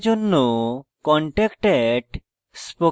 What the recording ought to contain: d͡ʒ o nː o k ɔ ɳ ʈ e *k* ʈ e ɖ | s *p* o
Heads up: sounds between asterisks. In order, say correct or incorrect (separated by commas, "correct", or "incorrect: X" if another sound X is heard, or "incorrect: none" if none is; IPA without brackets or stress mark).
correct, correct